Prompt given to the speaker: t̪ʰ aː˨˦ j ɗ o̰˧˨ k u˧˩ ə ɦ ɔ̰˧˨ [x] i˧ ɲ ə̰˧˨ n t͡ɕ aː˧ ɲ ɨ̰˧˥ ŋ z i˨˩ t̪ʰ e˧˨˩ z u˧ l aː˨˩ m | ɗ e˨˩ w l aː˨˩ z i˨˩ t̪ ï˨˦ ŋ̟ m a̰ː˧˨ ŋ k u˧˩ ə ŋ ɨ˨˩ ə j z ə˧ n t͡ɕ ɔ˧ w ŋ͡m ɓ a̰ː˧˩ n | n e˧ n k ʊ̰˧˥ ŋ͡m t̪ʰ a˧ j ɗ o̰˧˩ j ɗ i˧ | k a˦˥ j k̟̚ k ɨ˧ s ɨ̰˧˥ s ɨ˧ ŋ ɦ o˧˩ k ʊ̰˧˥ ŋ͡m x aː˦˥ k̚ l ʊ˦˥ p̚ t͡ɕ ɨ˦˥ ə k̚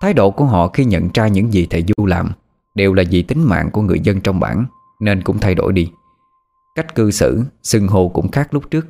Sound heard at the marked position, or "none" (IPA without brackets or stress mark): x